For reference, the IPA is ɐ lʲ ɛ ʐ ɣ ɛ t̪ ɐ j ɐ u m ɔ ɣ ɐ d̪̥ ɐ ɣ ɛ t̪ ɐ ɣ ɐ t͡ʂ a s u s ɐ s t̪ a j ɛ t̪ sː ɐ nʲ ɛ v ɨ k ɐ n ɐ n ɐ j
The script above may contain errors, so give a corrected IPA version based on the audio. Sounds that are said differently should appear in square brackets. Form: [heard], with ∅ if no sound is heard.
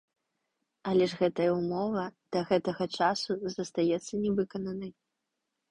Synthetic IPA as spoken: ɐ lʲ ɛ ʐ ɣ ɛ t̪ ɐ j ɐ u m ɔ [v] ɐ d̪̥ ɐ ɣ ɛ t̪ ɐ ɣ ɐ t͡ʂ a s u [z] ɐ s t̪ a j ɛ t̪ sː ɐ nʲ ɛ v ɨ k ɐ n ɐ n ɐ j